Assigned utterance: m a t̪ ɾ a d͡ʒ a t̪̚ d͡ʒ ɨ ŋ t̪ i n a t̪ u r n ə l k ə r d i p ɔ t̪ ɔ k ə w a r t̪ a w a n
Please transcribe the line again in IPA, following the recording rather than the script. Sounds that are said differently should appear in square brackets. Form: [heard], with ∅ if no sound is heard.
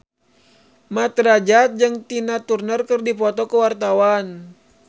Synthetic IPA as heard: m a t̪ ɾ a d͡ʒ a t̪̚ d͡ʒ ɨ ŋ t̪ i n a t̪ u r n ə [r] k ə r d i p ɔ t̪ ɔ k ə w a r t̪ a w a n